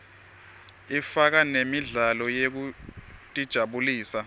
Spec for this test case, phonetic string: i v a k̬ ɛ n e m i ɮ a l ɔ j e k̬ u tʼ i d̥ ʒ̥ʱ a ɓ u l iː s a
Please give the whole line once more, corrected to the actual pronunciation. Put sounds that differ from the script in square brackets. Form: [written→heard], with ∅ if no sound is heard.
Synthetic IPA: i [v→f] a k̬ [ɛ→a] n e m i ɮ a l ɔ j e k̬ u tʼ i d̥ ʒ̥ʱ a ɓ u l iː s a